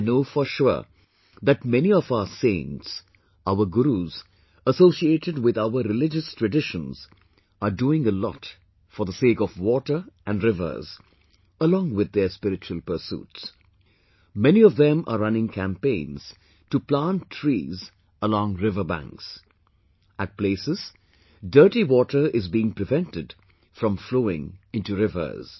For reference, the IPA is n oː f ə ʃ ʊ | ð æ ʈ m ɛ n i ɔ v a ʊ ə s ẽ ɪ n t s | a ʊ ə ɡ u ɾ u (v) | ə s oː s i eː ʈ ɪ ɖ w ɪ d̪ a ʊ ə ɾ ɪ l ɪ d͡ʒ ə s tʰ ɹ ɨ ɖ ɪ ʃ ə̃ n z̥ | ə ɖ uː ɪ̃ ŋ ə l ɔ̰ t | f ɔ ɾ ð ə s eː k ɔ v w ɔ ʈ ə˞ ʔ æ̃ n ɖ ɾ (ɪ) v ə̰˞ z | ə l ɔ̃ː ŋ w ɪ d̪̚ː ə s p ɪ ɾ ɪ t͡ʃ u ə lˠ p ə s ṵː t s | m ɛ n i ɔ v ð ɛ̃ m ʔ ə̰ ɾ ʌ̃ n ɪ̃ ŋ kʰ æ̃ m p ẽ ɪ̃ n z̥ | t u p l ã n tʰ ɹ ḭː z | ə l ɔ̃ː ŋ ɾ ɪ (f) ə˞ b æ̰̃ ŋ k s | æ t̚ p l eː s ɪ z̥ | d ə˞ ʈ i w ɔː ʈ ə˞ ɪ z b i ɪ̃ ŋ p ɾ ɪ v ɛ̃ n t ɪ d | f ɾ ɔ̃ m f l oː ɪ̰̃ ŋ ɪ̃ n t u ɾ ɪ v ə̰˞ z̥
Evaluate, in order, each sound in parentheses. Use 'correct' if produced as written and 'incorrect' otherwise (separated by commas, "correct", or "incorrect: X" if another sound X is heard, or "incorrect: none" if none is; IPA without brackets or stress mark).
incorrect: z, correct, incorrect: v